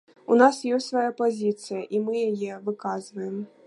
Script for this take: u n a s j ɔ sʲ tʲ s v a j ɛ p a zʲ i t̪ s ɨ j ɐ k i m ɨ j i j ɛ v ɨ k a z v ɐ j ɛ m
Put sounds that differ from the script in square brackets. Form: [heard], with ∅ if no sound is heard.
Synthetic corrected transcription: u n a s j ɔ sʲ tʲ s v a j [a] p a zʲ i t̪ s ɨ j ɐ [ʔ] i m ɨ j [a] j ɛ v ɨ k a z v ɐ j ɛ m